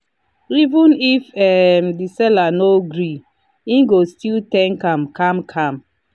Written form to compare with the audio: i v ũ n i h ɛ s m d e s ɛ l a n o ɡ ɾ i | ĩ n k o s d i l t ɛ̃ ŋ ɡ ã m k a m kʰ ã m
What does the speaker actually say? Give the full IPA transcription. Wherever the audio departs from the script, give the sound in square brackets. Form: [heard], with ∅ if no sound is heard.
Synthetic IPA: i v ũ n i [f] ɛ [∅] m d [i] s ɛ l a n o ɡ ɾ i | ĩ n [ɡ] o s [t] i l t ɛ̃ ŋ [k] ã m k a m kʰ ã m